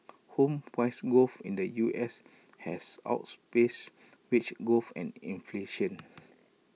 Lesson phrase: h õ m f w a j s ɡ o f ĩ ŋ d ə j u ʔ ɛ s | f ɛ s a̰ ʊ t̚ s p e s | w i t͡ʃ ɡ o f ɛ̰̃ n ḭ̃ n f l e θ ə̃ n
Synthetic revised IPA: h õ m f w a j s ɡ o f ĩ n d ə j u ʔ ɛ s | h ɛ s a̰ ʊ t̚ s p e s | w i t͡ʃ ɡ o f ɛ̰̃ n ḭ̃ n f l e ʃ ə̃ n